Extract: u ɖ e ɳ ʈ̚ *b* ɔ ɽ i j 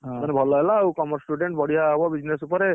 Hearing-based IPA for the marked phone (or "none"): b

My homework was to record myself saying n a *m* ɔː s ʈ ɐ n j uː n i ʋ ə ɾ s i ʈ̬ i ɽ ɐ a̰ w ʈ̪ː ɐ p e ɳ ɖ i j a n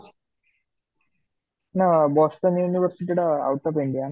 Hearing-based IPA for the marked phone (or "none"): b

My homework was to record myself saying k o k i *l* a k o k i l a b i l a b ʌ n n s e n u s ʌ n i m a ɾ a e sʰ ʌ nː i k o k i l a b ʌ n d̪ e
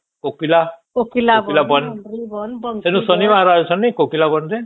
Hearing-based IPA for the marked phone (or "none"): l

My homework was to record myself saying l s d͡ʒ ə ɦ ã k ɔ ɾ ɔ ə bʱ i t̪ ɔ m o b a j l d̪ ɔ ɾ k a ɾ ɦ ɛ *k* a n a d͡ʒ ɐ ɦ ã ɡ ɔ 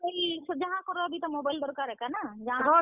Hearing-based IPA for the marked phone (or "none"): k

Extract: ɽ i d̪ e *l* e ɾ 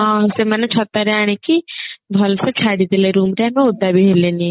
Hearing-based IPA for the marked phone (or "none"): l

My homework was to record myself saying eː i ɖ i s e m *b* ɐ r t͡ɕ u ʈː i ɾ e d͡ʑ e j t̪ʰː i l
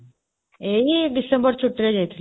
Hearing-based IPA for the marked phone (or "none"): b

